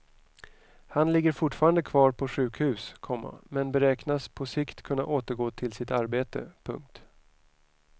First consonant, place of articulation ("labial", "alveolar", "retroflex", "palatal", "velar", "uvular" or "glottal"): glottal